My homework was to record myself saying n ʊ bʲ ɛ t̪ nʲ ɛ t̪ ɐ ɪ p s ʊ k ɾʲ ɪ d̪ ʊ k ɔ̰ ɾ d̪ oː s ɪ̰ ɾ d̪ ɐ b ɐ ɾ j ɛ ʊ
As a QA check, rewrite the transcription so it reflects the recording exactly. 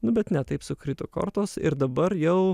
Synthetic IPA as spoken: n ʊ bʲ ɛ t̪ nʲ ɛ t̪ ɐ ɪ p s ʊ k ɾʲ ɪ t̪ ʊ k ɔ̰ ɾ t̪ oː s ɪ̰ ɾ d̪ ɐ b ɐ ɾ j ɛ ʊ